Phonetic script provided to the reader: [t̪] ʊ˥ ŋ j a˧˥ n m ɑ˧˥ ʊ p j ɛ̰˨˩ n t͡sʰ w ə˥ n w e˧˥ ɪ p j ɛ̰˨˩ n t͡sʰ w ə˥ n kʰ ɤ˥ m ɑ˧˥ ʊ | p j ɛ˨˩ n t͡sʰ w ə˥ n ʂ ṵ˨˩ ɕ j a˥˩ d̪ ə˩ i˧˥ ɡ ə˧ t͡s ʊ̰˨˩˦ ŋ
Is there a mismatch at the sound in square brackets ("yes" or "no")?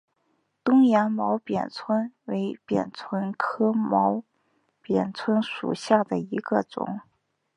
no